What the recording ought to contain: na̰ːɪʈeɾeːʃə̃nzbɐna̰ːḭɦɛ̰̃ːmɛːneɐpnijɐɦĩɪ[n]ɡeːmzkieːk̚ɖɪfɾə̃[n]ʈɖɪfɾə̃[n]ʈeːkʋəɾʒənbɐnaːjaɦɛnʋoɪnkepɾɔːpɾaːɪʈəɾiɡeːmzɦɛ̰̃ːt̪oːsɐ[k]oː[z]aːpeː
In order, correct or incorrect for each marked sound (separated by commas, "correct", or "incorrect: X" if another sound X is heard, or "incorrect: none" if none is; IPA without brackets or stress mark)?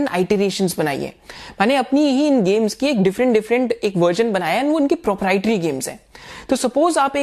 correct, incorrect: ɳ, incorrect: ɳ, incorrect: p, correct